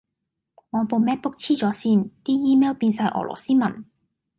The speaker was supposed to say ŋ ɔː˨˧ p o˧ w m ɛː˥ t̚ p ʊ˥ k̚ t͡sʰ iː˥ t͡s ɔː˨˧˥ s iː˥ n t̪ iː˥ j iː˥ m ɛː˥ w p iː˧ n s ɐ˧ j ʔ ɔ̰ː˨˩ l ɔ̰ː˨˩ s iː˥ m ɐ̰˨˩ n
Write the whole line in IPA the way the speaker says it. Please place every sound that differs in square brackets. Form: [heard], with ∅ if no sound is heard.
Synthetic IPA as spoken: ŋ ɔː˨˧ p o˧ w m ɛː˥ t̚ p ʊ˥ k̚ t͡sʰ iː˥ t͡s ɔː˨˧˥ s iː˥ n t̪ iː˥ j iː˥ m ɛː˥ w p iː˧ n s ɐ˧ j ʔ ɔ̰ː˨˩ l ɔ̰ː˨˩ s iː˥ m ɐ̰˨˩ n